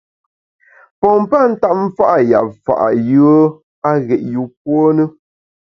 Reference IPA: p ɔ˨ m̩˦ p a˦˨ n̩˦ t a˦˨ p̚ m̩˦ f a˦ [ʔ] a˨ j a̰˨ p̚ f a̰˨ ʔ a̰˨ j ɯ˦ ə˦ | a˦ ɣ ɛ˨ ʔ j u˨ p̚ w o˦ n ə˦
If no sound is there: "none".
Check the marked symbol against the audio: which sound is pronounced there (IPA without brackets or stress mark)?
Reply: ʔ